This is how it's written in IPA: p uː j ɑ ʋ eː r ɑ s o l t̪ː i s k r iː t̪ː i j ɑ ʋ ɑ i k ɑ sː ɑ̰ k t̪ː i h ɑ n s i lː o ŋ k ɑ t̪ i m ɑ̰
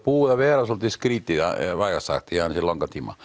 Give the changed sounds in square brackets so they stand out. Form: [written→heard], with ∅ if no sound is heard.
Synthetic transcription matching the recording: p uː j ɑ ʋ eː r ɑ s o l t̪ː i s k r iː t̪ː i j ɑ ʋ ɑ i k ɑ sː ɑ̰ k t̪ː i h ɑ n s i lː o ŋ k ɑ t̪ i m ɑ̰